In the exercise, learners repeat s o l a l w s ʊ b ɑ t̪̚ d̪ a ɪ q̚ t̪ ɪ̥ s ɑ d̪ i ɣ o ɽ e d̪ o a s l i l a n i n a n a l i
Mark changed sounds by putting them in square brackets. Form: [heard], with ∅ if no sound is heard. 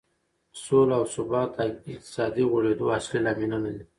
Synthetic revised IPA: s o l a [∅] w s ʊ b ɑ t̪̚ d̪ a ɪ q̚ t̪ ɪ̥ s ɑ d̪ i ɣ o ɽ e d̪ o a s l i l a [m] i n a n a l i